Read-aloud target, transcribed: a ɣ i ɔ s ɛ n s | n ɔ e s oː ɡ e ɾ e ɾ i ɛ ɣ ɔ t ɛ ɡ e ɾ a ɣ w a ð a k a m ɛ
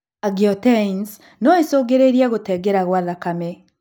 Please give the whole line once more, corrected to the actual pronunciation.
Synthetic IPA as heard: a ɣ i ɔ t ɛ n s | n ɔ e s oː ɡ e ɾ e ɾ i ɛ ɣ o t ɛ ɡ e ɾ a ɣ w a ð a k a m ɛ